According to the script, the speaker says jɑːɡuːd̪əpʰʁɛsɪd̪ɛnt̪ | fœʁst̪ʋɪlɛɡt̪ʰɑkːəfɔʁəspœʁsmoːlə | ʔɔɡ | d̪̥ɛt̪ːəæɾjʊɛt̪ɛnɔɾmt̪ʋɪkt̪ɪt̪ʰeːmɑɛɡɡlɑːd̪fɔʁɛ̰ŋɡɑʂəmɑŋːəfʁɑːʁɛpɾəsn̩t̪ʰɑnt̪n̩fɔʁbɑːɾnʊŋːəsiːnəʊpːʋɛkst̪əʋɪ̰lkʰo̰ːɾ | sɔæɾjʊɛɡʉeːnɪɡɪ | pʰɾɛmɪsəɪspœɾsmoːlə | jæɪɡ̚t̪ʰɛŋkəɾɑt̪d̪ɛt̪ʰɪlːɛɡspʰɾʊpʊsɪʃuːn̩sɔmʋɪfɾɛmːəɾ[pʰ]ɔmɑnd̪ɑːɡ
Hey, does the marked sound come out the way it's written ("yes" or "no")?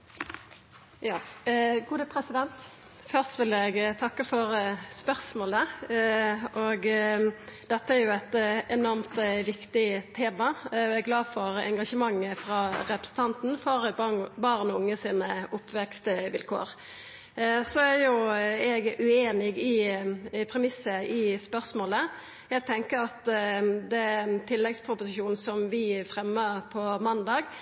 yes